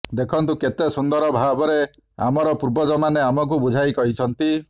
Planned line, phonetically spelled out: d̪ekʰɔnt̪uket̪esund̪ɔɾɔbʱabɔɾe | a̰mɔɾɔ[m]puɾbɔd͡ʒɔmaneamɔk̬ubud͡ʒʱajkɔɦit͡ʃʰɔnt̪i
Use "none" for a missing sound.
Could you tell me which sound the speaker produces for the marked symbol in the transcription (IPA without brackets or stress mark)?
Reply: none